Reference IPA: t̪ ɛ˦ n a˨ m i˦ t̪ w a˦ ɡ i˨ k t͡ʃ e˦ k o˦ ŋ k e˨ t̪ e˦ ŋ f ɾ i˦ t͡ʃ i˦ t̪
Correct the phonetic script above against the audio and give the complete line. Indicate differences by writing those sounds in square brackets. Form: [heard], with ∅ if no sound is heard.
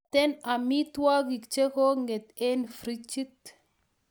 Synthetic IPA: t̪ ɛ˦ n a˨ m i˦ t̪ w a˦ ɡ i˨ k t͡ʃ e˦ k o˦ ŋ [ɡ] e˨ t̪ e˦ [n] f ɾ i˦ t͡ʃ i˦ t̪